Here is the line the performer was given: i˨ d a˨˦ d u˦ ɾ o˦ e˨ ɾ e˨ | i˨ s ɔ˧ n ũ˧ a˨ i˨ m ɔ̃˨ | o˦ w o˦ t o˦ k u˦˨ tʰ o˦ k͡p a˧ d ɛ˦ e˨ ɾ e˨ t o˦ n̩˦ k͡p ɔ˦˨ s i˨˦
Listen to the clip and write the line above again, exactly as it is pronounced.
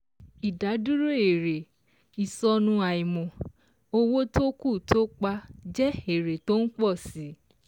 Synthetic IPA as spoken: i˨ d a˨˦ d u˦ ɾ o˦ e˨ ɾ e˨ | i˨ s ɔ˧ n ũ˧ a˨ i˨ m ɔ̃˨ | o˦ w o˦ t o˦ k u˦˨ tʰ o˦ k͡p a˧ d͡ʒ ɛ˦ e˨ ɾ e˨ t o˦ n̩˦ k͡p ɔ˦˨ s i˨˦

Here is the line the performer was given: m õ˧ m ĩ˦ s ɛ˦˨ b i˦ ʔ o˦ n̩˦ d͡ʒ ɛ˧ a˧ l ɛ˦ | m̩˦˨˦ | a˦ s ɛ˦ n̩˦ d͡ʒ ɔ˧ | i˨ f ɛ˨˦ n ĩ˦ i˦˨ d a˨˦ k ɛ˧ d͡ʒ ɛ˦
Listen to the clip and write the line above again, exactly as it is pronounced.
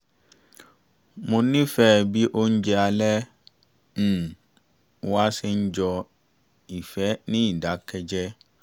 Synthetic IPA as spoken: m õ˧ n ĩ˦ f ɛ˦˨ b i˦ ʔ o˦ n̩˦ d͡ʒ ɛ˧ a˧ l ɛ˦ | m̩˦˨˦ | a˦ s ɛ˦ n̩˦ d͡ʒ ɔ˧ | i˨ f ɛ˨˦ n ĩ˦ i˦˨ d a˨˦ k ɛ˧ d͡ʒ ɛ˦

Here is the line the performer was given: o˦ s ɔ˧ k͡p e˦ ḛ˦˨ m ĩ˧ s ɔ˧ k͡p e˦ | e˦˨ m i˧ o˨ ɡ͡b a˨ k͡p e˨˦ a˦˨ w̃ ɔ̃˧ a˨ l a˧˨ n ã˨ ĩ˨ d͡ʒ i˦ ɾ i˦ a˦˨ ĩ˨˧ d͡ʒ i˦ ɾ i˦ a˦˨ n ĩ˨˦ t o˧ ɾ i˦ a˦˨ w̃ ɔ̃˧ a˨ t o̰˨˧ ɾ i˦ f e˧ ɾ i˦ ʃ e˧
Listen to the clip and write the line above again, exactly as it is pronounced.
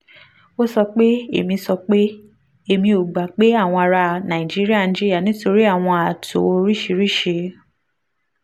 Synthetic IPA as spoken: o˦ s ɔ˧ k͡p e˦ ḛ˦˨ m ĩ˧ s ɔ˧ k͡p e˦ | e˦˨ m ĩ˧ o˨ ɡ͡b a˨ k͡p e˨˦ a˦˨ w̃ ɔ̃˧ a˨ ɾ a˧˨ n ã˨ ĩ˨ d͡ʒ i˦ ɾ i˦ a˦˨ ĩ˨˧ d͡ʒ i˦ ɾ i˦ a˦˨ n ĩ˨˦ t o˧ ɾ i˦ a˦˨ w̃ ɔ̃˧ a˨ t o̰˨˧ ɾ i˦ ʃ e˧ ɾ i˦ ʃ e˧

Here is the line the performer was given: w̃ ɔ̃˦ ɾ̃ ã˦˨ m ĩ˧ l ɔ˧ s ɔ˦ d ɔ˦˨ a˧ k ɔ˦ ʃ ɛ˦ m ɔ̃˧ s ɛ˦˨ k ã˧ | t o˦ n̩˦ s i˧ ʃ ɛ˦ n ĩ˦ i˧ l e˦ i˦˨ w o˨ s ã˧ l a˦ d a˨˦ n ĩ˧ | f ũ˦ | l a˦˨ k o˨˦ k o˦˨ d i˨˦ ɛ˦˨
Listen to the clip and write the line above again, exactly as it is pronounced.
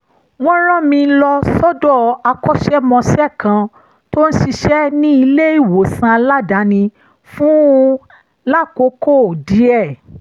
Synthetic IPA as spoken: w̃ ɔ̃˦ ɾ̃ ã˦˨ m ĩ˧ l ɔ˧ s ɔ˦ d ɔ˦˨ a˧ k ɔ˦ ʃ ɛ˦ m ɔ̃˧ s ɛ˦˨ k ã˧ | t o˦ n̩˦ ʃ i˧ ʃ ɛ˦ n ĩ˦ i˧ l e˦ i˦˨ w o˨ s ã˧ l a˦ d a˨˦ n ĩ˧ | f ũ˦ | l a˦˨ k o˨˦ k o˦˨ d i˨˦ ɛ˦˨

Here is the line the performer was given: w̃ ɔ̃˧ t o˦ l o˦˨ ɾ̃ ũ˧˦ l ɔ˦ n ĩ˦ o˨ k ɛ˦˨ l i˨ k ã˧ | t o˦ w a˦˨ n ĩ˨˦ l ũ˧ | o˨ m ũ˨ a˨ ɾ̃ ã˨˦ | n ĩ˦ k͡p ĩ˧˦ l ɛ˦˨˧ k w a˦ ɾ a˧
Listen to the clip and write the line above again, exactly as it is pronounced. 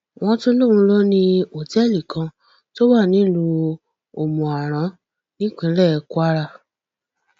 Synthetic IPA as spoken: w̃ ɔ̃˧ t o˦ l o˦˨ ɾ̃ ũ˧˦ l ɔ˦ n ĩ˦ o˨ t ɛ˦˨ l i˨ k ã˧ | t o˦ w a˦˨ n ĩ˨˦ l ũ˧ | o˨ m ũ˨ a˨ ɾ̃ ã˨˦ | n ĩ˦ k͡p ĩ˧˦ l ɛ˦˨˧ k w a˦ ɾ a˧

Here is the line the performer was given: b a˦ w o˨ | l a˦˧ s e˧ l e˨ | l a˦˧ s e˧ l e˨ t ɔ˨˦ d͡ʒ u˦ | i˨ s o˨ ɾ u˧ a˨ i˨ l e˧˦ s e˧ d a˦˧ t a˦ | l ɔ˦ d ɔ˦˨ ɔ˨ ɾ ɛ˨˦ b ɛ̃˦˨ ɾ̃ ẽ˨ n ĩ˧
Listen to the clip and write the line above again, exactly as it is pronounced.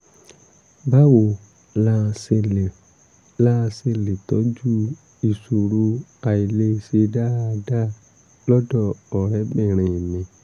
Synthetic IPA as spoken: b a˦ w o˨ | l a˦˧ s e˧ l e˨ | l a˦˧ s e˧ l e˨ t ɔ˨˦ d͡ʒ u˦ | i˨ s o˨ ɾ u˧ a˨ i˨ l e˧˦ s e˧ d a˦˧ d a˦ | l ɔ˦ d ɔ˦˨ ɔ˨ ɾ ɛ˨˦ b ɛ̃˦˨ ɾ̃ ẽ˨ n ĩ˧

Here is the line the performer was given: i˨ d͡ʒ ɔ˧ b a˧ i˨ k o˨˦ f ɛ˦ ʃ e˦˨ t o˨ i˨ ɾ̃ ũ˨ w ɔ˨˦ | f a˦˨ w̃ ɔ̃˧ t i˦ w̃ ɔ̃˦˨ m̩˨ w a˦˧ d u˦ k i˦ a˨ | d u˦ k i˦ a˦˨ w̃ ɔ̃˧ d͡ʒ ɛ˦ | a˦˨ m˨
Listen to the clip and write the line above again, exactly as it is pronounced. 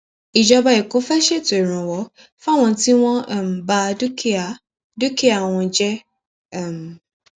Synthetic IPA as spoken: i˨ d͡ʒ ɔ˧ b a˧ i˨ k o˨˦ f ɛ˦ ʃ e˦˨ t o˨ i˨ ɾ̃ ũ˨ w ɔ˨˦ | f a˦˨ w̃ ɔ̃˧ t i˦ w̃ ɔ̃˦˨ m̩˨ b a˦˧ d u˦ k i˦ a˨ | d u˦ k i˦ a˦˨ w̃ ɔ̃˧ d͡ʒ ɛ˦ | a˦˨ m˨

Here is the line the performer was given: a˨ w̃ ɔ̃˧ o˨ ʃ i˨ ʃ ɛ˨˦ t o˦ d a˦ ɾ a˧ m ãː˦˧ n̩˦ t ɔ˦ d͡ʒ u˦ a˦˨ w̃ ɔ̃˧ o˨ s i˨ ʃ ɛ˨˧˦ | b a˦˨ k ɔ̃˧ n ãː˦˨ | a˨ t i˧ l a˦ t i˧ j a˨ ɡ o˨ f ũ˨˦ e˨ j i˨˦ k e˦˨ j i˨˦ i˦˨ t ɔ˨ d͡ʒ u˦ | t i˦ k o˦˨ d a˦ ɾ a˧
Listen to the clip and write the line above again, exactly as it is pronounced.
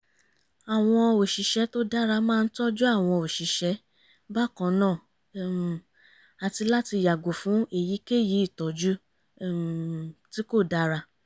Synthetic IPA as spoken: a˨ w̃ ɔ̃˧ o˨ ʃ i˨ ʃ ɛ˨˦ t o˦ d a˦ ɾ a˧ m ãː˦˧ n̩˦ t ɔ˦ d͡ʒ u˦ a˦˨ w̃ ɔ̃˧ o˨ ʃ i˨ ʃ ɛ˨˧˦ | b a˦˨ k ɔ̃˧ n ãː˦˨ | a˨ t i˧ l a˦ t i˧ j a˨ ɡ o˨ f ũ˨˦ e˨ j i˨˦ k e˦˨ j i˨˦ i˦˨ t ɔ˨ d͡ʒ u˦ | t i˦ k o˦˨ d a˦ ɾ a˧

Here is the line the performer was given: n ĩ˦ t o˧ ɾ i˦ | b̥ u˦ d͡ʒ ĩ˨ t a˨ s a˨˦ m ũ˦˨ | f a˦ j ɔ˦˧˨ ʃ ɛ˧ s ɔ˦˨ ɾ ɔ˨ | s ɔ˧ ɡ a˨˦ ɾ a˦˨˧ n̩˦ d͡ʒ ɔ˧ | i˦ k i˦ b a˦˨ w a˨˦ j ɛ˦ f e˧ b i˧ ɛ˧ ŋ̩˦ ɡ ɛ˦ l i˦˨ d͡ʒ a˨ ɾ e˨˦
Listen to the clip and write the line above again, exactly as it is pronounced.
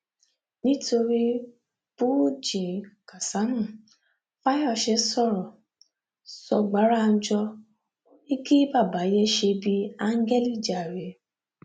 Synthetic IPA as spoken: n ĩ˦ t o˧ ɾ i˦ | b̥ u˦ d͡ʒ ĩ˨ k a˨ s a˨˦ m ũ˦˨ | f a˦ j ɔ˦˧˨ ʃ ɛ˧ s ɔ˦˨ ɾ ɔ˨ | s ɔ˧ ɡ͡b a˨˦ ɾ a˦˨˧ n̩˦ d͡ʒ ɔ˧ | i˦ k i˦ b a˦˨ b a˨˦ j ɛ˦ ʃ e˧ b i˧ a˧ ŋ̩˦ ɡ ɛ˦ l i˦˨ d͡ʒ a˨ ɾ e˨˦

